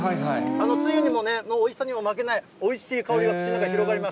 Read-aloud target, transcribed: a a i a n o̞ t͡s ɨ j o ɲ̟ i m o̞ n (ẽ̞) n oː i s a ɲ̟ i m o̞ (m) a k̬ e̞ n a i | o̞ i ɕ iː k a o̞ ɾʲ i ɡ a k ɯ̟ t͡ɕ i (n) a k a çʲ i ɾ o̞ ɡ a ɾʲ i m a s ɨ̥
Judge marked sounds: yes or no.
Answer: no, yes, yes

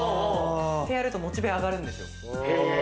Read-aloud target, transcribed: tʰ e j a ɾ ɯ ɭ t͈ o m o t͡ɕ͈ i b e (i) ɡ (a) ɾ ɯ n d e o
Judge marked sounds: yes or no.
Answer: no, yes

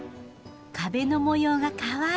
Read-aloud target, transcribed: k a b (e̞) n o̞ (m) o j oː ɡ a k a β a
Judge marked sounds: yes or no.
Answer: yes, yes

